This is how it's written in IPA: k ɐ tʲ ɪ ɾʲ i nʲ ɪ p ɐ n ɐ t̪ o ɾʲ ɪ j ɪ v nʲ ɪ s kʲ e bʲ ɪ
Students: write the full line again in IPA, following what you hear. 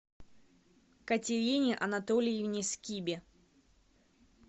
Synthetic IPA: k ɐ tʲ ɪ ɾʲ i nʲ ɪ ʔ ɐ n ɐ t̪ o lʲ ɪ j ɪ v nʲ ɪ s kʲ i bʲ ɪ

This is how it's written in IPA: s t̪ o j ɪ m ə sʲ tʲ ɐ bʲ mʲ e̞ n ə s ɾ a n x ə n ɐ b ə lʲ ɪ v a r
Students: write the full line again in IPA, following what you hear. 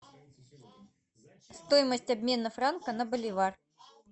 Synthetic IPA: s t̪ o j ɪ m ə sʲ tʲ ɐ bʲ mʲ e̞ n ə f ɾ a n k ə n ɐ b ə lʲ ɪ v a r

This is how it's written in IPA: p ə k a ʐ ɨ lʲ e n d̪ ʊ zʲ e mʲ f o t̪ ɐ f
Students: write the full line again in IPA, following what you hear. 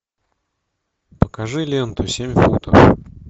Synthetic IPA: p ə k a ʐ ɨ lʲ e n t̪ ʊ sʲ e mʲ f u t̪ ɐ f

